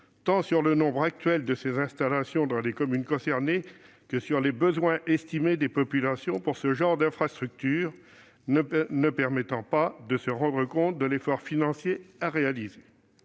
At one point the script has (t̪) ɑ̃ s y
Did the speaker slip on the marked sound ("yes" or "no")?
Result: no